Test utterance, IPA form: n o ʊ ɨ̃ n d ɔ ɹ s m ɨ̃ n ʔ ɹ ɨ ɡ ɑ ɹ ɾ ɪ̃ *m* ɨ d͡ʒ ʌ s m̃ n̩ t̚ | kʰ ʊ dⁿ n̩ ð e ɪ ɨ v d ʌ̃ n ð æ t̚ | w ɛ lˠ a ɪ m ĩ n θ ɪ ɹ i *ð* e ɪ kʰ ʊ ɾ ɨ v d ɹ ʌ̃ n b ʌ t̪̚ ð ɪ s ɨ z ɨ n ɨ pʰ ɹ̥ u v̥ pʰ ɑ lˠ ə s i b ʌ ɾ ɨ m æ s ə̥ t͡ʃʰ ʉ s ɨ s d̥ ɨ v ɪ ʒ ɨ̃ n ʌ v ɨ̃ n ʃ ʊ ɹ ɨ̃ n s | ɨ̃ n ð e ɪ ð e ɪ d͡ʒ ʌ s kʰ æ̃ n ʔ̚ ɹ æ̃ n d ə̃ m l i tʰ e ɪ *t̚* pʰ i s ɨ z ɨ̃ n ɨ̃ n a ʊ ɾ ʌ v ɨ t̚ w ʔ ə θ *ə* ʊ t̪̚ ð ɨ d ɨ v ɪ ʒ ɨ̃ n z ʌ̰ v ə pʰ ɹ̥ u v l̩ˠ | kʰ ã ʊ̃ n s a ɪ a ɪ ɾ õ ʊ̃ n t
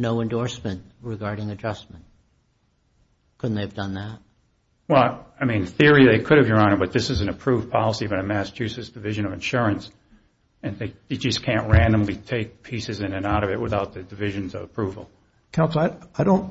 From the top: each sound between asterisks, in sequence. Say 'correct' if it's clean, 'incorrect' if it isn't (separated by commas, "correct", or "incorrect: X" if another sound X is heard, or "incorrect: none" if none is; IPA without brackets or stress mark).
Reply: incorrect: ŋ, correct, incorrect: k̚, incorrect: a